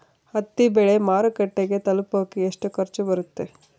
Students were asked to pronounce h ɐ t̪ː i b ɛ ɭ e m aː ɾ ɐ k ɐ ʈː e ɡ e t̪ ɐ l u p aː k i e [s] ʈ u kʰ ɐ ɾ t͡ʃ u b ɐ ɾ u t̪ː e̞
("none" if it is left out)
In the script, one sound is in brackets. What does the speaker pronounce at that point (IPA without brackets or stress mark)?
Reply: ʂ